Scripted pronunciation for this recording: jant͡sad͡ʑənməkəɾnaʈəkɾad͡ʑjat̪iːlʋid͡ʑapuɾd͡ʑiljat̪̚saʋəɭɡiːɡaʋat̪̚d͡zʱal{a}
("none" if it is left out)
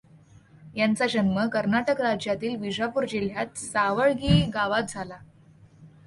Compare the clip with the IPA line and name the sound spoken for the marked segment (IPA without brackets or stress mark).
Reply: a